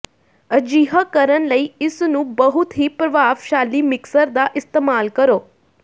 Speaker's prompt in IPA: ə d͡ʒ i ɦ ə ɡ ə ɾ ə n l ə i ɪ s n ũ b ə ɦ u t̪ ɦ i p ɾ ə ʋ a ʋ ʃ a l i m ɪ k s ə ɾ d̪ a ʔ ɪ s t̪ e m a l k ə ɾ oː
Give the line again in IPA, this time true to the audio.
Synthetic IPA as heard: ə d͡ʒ i ɦ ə k ə ɾ ə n l ə i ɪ s n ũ b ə ɦ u t̪ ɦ i p ɾ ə ʋ a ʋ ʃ a l i m ɪ k s ə ɾ d̪ a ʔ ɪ s t̪ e m a l k ə ɾ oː